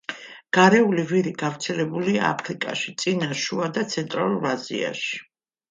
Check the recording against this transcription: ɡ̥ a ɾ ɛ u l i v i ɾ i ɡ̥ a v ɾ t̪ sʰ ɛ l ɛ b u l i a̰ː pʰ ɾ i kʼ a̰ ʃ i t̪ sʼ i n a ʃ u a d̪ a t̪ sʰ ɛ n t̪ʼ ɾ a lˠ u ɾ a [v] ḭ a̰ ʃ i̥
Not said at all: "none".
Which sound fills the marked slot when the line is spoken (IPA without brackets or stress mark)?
z